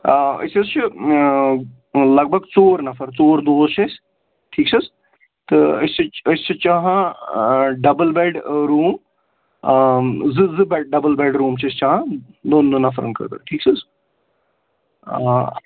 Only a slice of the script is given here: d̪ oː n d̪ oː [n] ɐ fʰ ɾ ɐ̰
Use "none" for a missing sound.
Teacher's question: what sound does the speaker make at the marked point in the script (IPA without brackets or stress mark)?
n